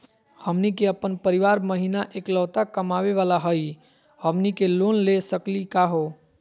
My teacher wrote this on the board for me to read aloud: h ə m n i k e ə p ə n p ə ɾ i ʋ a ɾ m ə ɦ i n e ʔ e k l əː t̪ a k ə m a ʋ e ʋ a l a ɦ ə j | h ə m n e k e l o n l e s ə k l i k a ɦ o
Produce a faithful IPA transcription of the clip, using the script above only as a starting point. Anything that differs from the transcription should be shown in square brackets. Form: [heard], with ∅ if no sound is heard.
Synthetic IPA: h ə m n i k e ə p ə n p ə ɾ i ʋ a ɾ m ə ɦ i n [a] ʔ e k l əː t̪ a k ə m a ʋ e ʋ a l a ɦ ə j | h ə m n [i] k e l o n l e s ə k l i k a ɦ o